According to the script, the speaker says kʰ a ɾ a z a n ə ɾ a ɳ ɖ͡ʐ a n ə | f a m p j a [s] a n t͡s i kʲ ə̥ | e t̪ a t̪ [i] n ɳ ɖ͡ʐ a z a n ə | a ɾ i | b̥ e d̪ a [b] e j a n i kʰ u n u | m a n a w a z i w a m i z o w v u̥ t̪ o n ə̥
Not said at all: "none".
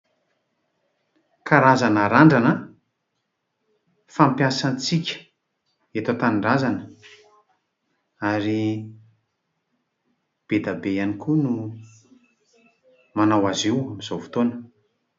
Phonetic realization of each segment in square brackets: s, a, b

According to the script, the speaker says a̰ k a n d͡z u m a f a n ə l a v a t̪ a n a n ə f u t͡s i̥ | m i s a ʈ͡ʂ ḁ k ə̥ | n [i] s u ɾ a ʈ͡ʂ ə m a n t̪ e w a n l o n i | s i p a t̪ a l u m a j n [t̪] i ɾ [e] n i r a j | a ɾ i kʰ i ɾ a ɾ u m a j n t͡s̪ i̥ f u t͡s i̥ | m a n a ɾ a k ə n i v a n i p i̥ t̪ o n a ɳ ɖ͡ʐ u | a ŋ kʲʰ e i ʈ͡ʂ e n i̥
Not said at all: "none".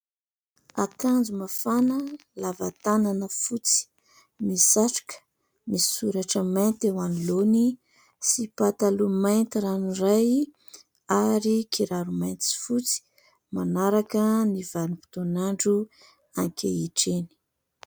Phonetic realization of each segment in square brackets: i, t̪, a

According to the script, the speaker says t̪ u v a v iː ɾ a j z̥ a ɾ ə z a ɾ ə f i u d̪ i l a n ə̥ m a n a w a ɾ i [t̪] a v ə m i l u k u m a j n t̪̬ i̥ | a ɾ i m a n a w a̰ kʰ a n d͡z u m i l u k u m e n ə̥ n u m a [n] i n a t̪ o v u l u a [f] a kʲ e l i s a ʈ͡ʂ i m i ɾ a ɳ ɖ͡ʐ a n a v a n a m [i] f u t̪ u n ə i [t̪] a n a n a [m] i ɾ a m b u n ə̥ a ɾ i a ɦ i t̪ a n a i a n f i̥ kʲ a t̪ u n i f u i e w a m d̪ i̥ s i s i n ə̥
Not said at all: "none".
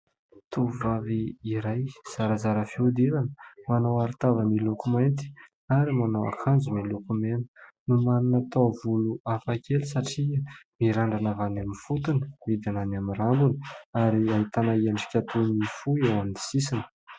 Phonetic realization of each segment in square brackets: t̪, n, f, i, d̪, m

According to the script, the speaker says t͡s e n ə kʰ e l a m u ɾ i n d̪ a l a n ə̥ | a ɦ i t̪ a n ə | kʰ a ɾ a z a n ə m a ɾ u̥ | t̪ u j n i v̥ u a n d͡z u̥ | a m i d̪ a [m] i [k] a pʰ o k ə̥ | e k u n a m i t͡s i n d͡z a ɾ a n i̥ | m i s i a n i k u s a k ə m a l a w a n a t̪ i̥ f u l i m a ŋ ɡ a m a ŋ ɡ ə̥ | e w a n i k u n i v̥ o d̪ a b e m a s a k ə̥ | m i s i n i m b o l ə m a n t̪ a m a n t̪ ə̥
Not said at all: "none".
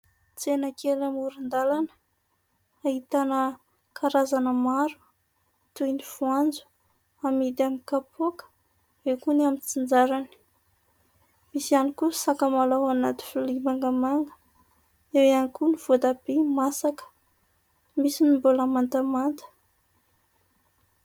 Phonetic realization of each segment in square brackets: m, k

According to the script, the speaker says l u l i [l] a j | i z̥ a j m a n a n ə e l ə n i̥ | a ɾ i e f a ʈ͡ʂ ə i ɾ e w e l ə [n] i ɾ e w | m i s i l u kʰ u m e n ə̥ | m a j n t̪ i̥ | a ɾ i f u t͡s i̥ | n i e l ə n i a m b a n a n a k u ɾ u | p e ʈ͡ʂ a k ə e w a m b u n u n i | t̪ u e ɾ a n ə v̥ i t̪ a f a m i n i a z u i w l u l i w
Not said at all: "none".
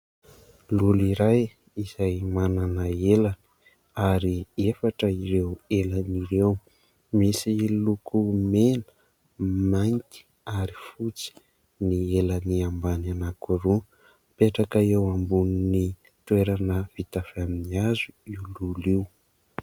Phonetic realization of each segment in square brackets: ɾ, n

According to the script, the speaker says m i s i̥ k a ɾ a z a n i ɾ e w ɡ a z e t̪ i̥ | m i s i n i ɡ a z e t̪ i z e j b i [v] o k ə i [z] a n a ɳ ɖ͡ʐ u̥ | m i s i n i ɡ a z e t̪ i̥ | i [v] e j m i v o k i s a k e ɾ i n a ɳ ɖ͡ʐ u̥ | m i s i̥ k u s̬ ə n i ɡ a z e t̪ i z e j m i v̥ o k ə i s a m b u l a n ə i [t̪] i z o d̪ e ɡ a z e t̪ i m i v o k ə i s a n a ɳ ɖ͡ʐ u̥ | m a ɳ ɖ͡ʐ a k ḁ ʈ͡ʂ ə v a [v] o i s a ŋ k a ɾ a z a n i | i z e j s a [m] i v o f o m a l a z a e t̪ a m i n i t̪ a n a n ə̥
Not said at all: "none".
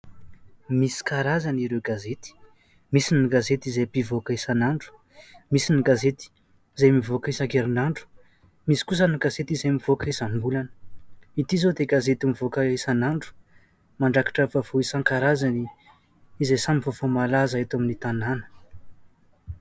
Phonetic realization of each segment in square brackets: v, s, z, t̪, v, m

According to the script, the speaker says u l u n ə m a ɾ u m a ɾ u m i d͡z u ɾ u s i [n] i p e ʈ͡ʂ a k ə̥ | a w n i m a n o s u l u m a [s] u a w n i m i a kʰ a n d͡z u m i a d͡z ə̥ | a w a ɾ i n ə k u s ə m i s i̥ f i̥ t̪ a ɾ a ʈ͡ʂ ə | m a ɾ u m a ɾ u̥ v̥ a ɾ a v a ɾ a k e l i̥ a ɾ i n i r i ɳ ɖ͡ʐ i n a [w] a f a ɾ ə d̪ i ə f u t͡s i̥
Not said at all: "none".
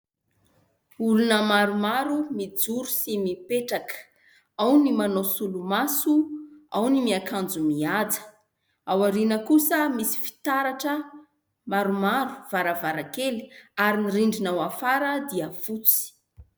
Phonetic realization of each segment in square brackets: m, s, w

